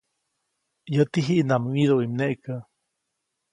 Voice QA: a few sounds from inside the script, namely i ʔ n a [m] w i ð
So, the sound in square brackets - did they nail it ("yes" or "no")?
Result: yes